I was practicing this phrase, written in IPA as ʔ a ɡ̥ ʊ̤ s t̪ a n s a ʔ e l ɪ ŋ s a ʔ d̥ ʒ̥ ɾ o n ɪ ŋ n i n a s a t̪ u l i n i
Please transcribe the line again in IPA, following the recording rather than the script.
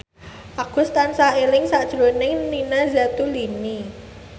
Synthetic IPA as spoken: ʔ a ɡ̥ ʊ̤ s t̪ a n s a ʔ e l ɪ ŋ s a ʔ d̥ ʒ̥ ɾ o n ɪ ŋ n i n a z a t̪ u l i n i